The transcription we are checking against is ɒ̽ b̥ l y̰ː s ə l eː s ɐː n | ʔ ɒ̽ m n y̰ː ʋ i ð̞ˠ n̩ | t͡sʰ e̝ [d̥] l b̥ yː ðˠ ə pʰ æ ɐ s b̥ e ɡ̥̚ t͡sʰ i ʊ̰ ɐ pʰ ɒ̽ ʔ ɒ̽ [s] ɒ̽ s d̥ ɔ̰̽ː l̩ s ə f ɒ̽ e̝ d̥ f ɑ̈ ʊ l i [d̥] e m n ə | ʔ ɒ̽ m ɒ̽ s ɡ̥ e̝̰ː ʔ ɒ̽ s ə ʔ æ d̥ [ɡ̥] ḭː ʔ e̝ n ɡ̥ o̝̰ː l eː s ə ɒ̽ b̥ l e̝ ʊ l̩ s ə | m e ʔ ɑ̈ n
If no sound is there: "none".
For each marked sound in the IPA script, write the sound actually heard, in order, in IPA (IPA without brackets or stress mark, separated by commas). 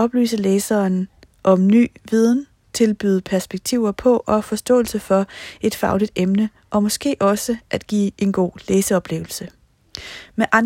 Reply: none, f, d̥, ɡ̥